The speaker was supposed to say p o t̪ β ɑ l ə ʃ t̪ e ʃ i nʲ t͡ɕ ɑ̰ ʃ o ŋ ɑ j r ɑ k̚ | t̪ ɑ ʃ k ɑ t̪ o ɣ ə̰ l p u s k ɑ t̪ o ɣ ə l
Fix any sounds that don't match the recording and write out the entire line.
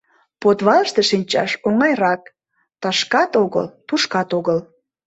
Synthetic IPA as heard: p o t̪ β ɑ l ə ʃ t̪ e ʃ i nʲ t͡ɕ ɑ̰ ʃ o ŋ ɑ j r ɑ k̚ | t̪ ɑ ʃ k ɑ t̪ o ɣ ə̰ l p u ʃ k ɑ t̪ o ɣ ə l